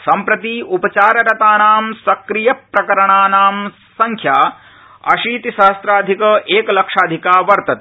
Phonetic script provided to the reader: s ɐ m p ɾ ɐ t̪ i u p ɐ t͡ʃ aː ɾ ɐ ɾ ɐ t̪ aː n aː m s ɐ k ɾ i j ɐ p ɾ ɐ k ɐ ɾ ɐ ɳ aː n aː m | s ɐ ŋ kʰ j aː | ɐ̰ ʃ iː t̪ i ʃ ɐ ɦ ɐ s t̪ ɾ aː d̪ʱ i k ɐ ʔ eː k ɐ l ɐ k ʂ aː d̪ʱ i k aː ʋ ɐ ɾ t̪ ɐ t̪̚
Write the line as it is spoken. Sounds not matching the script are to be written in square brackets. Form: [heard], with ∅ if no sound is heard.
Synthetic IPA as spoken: s ɐ m p ɾ ɐ t̪ i u p ɐ t͡ʃ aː ɾ ɐ ɾ ɐ t̪ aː n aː m s ɐ k ɾ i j ɐ p ɾ ɐ k ɐ ɾ ɐ ɳ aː n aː m | s ɐ ŋ kʰ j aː | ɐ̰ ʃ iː t̪ i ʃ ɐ ɦ ɐ s t̪ ɾ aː d̪ʱ i k ɐ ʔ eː k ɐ l ɐ k ʂ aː d̪ʱ i k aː ʋ ɐ ɾ t̪ ɐ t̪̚